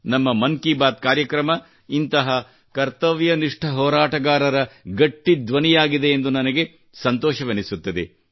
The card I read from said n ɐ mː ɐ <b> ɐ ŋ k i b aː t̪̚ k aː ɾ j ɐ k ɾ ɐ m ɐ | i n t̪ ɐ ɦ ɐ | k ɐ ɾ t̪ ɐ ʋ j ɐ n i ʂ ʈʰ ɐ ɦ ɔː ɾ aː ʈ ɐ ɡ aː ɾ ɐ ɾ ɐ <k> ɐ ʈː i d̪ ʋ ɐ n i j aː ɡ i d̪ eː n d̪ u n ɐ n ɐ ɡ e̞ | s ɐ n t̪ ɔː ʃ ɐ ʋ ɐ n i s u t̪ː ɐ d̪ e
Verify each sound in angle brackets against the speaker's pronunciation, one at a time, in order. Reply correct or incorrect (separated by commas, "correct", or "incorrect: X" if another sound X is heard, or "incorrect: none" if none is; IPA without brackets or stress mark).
incorrect: m, incorrect: ɡ